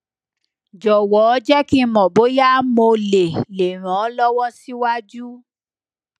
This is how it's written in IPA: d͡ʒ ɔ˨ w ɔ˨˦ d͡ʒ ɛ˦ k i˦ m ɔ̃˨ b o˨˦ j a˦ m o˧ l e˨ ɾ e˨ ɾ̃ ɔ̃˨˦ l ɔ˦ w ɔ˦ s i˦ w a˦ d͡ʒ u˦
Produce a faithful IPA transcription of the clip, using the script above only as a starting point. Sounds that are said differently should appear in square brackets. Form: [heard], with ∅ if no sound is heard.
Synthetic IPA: d͡ʒ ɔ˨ w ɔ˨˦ d͡ʒ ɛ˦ k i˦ m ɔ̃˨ b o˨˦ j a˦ m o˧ l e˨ [l] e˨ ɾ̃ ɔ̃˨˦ l ɔ˦ w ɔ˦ s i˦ w a˦ d͡ʒ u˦